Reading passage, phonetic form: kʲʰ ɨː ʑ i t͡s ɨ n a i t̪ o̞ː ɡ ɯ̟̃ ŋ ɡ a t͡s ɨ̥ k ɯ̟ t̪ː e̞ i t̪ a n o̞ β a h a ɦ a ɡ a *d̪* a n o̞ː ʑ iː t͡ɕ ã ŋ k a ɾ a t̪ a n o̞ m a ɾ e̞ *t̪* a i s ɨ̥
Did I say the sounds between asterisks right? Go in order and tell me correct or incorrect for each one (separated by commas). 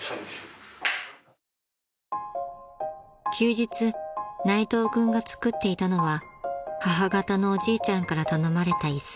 incorrect, correct